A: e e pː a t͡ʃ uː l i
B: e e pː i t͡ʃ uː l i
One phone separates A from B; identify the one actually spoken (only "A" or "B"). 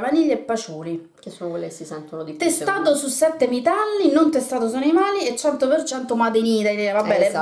A